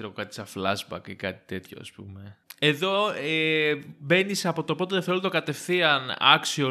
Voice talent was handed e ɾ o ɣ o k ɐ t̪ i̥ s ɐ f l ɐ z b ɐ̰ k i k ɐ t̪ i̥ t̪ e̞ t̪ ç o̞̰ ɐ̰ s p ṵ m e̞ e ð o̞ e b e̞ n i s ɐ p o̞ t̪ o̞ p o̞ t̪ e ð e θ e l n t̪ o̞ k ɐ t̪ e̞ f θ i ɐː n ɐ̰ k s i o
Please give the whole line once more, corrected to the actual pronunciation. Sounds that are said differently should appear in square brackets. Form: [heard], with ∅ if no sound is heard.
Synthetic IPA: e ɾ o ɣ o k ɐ t̪ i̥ s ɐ f l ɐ z b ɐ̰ k i k ɐ t̪ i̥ t̪ e̞ t̪ ç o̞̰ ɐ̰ s p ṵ m e̞ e ð o̞ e b e̞ n i s ɐ p o̞ t̪ o̞ p o̞ t̪ e ð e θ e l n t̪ o̞ k ɐ t̪ e̞ f θ i [ɐ] n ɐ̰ k s i o